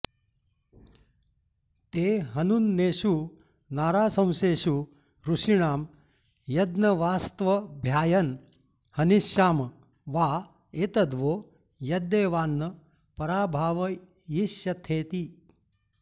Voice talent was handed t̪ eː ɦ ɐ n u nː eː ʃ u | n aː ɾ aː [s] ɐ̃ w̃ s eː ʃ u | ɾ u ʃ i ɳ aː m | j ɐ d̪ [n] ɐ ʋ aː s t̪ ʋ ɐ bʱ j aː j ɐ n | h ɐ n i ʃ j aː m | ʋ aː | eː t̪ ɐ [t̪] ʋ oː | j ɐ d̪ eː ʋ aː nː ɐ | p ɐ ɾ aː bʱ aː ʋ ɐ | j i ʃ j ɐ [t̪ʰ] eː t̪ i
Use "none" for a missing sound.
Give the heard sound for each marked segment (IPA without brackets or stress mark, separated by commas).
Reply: s, n, d̪, t̪ʰ